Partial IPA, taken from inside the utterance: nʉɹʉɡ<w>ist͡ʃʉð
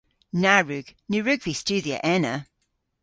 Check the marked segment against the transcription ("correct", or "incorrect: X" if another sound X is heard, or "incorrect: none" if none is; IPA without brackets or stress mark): incorrect: v